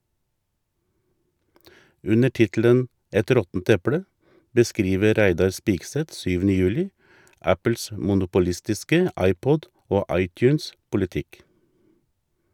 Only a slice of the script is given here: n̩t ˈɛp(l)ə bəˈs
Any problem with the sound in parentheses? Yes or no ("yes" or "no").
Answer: yes